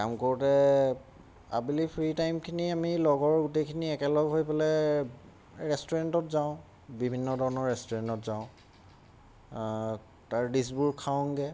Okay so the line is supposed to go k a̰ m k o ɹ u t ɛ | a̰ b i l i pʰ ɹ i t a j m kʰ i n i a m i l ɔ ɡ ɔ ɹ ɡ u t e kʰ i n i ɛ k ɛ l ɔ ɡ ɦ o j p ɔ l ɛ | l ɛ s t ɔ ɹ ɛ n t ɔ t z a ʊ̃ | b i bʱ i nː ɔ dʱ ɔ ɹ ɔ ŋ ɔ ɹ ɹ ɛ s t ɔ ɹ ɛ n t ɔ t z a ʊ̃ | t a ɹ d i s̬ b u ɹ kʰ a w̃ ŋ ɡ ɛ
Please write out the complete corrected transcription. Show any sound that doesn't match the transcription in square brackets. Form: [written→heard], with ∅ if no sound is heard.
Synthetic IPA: k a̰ m k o ɹ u t ɛ | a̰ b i l i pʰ ɹ i t a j m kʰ i n i a m i l ɔ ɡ ɔ ɹ ɡ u t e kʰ i n i ɛ k ɛ l ɔ ɡ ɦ o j p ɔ l ɛ | [l→ɹ] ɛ s t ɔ ɹ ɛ n t ɔ t z a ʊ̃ | b i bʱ i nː ɔ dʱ ɔ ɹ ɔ [ŋ→n] ɔ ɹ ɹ ɛ s t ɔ ɹ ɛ n t ɔ t z a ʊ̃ | t a ɹ d i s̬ b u ɹ kʰ a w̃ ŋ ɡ ɛ